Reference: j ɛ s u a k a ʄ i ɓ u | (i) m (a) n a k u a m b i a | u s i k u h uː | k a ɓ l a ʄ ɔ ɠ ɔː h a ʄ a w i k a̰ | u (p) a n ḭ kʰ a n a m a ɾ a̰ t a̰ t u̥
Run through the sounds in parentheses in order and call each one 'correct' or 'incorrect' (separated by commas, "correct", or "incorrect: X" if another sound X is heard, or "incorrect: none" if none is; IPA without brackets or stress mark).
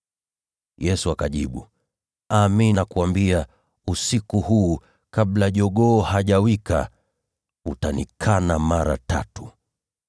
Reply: incorrect: a, incorrect: i, incorrect: t